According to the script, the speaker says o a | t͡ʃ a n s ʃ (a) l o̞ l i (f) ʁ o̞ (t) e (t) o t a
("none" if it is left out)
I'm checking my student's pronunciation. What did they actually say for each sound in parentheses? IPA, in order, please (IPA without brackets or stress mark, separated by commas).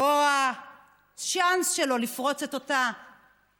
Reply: e, f, t͡s, t